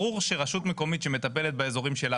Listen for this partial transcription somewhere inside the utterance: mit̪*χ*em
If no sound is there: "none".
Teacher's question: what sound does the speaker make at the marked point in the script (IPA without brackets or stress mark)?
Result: ʃ